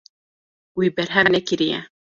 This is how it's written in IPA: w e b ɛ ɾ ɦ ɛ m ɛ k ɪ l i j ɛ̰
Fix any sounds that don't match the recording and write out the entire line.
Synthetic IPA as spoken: w i b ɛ ɾ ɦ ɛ n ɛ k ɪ ɾ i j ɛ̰